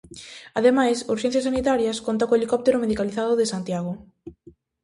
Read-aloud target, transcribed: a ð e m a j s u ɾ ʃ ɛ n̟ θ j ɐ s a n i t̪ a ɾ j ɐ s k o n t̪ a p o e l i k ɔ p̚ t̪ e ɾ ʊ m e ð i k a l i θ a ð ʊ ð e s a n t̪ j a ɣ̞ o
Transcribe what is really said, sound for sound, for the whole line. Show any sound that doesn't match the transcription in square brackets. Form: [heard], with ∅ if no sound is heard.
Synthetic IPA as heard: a ð e m a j s u ɾ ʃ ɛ n̟ θ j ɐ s a n i t̪ a ɾ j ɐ s k o n t̪ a [k] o e l i k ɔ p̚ t̪ e ɾ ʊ m e ð i k a l i θ a ð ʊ ð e s a n t̪ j a ɣ̞ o